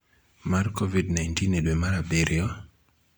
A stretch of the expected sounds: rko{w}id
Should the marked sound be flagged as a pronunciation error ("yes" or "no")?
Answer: yes